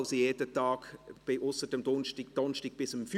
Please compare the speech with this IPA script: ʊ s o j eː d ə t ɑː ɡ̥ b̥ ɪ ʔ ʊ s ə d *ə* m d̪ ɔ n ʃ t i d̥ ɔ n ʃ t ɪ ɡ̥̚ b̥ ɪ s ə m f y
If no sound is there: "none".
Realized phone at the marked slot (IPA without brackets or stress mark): ə